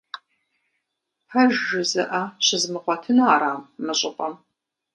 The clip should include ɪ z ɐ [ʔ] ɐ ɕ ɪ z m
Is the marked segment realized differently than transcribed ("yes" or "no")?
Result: no